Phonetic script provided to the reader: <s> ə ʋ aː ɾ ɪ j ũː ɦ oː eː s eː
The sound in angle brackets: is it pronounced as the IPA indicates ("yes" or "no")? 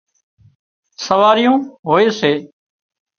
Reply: yes